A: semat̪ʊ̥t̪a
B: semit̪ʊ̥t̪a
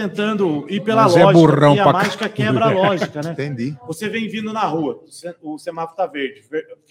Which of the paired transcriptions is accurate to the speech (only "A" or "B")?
A